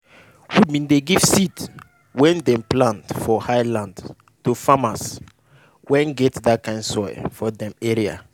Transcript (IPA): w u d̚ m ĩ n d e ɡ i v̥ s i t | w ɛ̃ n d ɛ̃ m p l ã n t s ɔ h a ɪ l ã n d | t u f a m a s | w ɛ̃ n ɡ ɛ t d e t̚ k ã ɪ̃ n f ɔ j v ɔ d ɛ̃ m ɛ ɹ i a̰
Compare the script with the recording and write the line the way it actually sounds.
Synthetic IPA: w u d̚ m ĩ n d e ɡ i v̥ s i t | w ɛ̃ n d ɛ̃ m p l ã n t f ɔ h a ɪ l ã n d | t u f a m a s | w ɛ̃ n ɡ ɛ t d a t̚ k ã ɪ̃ n s ɔ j f ɔ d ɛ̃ m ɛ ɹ i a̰